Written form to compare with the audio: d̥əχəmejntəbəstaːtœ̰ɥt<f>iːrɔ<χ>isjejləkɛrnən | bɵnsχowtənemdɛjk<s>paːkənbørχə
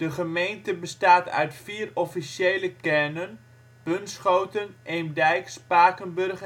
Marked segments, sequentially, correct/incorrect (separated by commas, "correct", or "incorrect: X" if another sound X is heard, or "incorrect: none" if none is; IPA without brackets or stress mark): correct, incorrect: f, correct